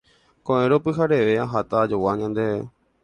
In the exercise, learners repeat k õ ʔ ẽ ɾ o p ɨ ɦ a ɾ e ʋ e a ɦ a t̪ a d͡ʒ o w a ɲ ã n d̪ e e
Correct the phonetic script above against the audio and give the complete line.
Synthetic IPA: k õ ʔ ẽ ɾ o p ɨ ɦ a ɾ e ʋ e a ɦ a t̪ a d͡ʒ o w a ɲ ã n d̪ e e